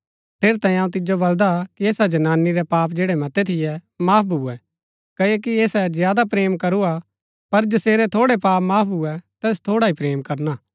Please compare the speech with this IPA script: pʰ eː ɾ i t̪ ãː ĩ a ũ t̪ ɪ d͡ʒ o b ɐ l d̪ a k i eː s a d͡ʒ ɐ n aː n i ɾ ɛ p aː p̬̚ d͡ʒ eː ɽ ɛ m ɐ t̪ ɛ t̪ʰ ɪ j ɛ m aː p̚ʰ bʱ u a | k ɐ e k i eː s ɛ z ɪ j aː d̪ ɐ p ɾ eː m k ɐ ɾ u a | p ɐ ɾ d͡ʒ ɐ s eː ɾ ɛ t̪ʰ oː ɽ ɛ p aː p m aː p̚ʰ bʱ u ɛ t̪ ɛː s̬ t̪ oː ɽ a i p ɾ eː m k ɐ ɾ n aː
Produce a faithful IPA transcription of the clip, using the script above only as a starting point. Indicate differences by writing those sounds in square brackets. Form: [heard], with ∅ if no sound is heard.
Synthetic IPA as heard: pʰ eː ɾ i t̪ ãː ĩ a ũ t̪ ɪ d͡ʒ o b ɐ l d̪ a k i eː s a d͡ʒ ɐ n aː n i ɾ ɛ p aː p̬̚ d͡ʒ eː ɽ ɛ m ɐ t̪ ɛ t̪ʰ ɪ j ɛ m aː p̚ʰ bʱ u [ɛ] | k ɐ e k i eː s ɛ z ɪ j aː d̪ [a] p ɾ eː m k ɐ ɾ u a | p ɐ ɾ d͡ʒ ɐ s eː ɾ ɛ t̪ʰ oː ɽ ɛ p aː p m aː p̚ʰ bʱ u ɛ t̪ ɛː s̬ [t̪ʰ] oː ɽ a i p ɾ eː m k ɐ ɾ n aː